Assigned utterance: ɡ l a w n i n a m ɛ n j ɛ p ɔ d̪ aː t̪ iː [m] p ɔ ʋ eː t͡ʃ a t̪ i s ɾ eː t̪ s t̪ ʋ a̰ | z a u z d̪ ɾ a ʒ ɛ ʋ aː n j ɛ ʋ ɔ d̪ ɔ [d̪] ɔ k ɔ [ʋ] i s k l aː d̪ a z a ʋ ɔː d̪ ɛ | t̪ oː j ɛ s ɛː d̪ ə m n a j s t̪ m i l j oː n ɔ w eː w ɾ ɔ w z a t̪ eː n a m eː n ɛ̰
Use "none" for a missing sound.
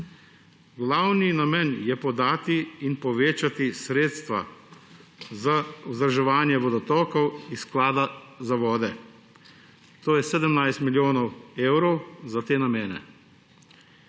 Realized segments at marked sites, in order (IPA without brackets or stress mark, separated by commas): n, t̪, w